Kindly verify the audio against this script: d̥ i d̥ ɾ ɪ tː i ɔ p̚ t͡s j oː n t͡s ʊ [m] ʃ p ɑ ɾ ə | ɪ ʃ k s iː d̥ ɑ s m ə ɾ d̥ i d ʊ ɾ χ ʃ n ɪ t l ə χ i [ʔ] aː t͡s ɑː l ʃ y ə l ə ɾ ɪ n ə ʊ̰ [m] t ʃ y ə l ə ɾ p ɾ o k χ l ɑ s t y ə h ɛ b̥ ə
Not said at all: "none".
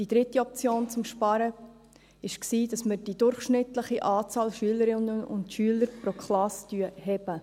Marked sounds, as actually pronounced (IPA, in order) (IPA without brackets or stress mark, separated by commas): m, ʔ, n